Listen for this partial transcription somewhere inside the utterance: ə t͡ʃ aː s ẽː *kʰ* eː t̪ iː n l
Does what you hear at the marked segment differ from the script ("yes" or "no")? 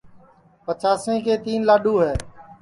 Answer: yes